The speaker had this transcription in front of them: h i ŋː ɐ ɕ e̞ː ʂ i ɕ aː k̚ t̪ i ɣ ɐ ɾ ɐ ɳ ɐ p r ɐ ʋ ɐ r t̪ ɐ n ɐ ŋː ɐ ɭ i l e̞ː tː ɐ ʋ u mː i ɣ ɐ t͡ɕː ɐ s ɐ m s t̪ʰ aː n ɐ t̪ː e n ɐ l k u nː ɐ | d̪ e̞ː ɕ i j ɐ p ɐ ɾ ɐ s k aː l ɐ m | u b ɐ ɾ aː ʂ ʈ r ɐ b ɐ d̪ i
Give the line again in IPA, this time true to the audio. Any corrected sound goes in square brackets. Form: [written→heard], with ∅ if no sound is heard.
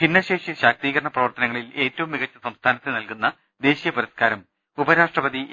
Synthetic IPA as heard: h i [ŋː→nː] ɐ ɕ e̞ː ʂ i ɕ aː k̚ t̪ [i→iː] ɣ ɐ ɾ ɐ ɳ ɐ p r ɐ ʋ ɐ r t̪ ɐ n ɐ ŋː ɐ ɭ i l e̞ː tː ɐ ʋ u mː i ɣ ɐ t͡ɕː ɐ s ɐ m s t̪ʰ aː n ɐ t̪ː e n ɐ l k u nː ɐ | d̪ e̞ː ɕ i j ɐ p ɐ ɾ ɐ s k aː [l→ɾ] ɐ m | u b ɐ ɾ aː ʂ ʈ r ɐ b ɐ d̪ i